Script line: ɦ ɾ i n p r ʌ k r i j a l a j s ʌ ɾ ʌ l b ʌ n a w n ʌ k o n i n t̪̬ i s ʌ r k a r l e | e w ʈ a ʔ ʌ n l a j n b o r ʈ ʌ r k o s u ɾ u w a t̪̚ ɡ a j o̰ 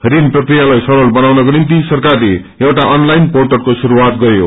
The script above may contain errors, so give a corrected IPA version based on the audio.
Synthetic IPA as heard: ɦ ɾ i n p r ʌ k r i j a l a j s ʌ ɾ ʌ l b ʌ n a w n ʌ k o n i n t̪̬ i s ʌ r k a r l e | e w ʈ a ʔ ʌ n l a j n p o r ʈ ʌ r k o s u ɾ u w a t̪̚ ɡ ʌ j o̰